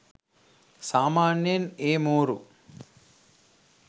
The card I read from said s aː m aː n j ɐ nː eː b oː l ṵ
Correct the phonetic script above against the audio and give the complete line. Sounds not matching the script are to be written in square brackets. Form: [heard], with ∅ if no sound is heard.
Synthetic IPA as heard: s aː m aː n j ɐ [n] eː [m] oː [ɾ] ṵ